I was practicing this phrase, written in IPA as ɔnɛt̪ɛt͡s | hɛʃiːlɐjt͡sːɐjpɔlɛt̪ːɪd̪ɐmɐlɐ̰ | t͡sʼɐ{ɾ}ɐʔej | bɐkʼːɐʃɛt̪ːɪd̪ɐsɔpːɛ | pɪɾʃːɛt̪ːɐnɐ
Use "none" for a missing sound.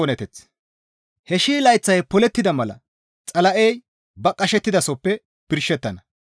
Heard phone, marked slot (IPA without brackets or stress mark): l